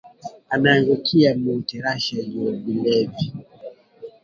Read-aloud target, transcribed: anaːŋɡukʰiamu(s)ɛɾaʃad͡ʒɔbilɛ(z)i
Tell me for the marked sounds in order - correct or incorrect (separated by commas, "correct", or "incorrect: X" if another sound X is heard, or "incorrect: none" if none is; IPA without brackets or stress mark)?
incorrect: t, incorrect: v